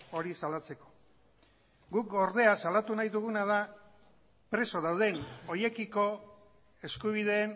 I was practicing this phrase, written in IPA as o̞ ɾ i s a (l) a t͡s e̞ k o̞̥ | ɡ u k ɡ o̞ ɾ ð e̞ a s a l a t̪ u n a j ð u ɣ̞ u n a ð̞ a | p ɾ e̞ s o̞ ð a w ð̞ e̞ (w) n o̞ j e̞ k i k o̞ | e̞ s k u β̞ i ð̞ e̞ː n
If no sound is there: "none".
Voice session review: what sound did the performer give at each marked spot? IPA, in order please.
l, none

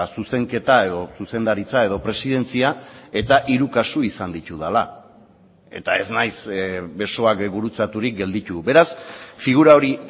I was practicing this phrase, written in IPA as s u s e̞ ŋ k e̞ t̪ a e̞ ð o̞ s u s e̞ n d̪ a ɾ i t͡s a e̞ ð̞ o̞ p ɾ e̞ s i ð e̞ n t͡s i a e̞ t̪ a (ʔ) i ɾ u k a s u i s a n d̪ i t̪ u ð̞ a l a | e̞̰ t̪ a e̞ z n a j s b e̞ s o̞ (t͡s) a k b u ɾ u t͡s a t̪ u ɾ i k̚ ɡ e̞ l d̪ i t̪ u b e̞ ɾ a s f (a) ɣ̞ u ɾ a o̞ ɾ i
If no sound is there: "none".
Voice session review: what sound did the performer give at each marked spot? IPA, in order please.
ʔ, none, i

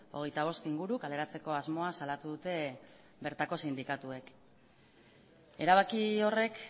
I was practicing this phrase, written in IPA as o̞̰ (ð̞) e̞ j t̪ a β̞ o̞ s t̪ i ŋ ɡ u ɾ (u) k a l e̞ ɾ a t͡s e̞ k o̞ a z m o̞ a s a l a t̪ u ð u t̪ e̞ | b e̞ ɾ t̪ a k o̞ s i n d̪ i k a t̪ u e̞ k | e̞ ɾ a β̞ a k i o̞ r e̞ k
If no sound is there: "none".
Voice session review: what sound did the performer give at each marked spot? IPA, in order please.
ɣ̞, u

